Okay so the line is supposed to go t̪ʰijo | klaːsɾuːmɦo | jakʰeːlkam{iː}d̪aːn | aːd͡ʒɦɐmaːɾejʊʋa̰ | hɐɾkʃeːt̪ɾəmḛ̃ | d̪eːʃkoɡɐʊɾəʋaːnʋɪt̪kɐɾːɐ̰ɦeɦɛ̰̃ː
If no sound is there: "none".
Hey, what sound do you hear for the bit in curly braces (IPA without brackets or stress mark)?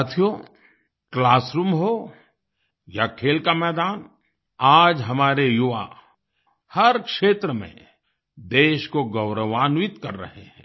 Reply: ɛː